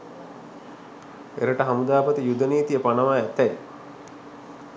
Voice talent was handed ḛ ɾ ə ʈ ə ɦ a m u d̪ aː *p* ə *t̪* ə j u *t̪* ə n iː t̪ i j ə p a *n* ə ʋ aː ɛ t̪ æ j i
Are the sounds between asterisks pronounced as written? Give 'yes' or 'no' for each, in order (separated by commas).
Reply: yes, yes, no, yes